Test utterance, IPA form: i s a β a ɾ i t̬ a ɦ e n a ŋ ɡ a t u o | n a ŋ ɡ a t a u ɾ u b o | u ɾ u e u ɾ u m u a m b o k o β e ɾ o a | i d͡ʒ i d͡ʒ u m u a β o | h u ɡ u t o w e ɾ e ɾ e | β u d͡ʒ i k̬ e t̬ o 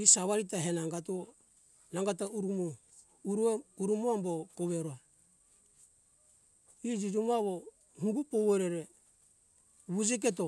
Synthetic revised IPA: i s a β a ɾ i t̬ a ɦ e n a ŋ ɡ a t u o | n a ŋ ɡ a t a u ɾ u m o | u ɾ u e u ɾ u m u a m b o k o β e ɾ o a | i d͡ʒ i d͡ʒ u m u a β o | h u ɡ u p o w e ɾ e ɾ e | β u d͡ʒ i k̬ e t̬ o